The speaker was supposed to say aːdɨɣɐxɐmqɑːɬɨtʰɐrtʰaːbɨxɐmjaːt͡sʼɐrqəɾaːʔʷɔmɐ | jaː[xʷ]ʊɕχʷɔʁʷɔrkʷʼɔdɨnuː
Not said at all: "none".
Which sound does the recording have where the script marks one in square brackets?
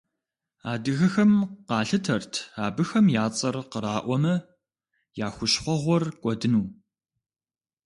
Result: xʷ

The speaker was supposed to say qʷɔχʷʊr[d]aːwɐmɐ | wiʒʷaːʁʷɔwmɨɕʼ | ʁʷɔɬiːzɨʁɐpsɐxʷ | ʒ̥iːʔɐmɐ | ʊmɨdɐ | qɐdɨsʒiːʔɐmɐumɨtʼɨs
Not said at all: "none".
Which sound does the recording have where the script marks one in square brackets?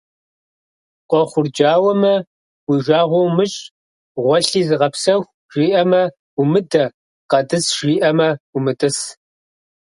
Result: d͡ʒ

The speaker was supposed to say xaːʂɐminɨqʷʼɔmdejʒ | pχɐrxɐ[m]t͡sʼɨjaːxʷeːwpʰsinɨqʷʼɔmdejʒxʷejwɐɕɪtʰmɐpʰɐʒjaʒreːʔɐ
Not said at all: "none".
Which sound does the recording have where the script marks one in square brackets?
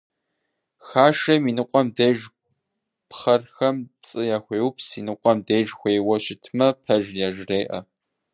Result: m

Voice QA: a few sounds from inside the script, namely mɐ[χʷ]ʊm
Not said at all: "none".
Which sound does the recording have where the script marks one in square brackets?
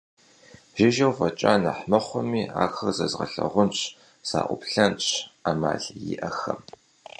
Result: χʷ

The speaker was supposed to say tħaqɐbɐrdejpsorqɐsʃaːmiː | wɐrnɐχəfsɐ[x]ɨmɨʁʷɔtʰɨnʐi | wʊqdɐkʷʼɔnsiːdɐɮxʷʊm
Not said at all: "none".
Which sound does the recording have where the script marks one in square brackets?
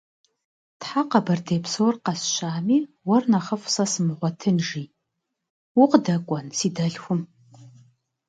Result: s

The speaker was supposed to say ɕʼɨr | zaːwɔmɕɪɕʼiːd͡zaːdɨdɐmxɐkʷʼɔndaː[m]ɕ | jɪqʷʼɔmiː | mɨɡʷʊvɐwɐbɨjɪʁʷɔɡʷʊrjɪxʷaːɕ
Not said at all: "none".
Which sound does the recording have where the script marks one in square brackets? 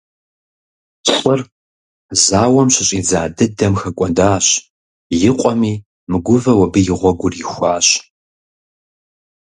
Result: none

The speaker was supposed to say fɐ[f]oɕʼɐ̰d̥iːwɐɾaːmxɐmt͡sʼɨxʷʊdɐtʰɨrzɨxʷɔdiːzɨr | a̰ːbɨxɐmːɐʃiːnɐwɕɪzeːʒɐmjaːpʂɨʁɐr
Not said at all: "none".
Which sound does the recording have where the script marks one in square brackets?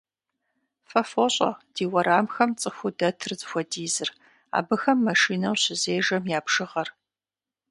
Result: f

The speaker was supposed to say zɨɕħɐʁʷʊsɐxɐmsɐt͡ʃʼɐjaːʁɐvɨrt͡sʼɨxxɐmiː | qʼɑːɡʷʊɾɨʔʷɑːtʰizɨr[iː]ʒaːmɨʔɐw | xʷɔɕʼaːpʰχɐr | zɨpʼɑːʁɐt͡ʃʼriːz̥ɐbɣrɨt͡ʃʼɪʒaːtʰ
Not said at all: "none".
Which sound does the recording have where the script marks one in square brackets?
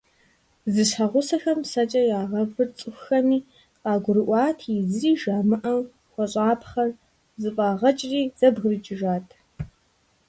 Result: iː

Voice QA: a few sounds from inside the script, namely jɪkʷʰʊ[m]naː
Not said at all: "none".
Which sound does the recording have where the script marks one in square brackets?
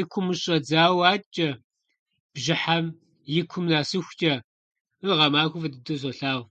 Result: m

